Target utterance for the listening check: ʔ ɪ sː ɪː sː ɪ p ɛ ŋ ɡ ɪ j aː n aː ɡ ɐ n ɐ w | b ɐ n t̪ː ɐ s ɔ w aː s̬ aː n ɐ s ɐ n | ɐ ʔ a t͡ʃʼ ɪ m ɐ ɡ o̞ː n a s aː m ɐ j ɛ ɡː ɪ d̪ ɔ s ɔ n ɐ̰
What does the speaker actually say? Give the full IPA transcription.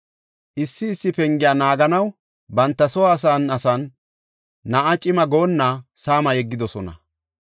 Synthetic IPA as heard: ʔ ɪ sː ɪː sː ɪ p ɛ ŋ ɡ ɪ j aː n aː ɡ ɐ n ɐ w | b ɐ n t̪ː ɐ s ɔ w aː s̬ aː n ɐ s ɐ nː | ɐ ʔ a t͡ʃʼ ɪ m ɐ ɡ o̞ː nː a s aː m ɐ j ɛ ɡː ɪ d̪ ɔ s ɔ n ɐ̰